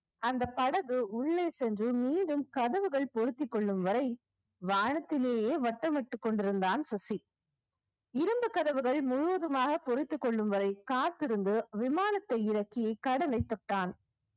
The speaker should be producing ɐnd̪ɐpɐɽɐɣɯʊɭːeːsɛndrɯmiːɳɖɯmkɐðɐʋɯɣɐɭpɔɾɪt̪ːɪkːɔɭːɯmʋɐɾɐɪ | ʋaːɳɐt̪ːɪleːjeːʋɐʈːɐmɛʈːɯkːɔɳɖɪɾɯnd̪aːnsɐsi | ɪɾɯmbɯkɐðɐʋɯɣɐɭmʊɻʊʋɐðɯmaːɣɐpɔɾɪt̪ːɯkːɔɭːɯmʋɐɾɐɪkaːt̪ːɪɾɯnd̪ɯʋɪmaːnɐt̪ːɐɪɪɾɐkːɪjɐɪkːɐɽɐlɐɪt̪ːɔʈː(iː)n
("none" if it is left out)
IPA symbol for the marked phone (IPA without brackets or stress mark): aː